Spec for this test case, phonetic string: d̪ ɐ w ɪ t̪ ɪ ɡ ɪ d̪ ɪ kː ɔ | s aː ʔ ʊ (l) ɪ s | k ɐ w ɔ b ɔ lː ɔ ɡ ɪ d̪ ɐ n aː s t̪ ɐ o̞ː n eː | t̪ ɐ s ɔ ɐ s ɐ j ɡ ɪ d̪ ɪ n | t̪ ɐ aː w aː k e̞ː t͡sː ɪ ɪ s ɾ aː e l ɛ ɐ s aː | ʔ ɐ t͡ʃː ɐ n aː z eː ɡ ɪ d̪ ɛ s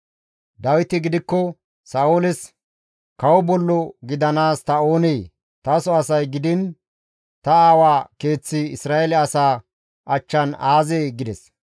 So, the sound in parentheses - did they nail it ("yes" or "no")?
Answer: yes